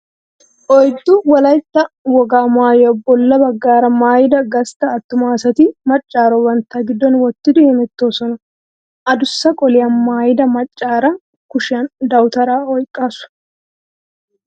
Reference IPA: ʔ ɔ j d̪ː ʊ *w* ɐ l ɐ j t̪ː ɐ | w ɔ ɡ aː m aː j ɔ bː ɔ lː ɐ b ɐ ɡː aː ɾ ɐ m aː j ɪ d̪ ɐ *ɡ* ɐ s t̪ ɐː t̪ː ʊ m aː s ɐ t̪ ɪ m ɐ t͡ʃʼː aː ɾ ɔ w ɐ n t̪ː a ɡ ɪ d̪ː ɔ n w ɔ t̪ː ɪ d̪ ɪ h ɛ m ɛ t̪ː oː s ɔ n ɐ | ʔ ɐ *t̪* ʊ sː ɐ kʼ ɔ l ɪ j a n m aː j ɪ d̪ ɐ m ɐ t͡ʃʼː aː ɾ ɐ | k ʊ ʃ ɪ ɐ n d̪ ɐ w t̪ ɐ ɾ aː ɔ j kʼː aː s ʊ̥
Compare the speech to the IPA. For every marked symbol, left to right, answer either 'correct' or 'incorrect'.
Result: correct, correct, incorrect: d̪

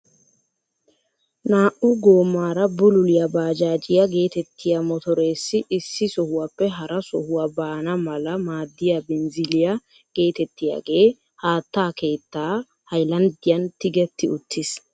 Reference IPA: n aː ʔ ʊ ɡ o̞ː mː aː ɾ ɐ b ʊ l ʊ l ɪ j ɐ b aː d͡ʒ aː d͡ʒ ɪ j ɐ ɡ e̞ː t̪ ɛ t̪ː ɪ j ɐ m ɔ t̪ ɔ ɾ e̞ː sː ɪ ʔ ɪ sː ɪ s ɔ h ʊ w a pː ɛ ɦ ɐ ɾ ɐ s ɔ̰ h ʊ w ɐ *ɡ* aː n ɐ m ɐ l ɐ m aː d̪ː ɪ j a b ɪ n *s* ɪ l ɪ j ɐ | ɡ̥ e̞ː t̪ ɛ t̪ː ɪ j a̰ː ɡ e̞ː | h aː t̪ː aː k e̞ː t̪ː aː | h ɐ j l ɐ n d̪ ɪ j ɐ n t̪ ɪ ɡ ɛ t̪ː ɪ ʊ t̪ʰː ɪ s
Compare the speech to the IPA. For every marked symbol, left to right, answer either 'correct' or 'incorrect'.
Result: incorrect: b, incorrect: z

